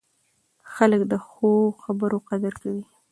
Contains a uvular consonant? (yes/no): yes